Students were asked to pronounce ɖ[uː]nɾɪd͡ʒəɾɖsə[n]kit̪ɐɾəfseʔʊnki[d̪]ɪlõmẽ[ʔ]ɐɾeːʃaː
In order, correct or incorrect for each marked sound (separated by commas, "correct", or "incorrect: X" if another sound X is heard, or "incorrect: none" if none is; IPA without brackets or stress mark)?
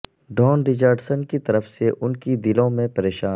incorrect: ɔː, correct, correct, incorrect: p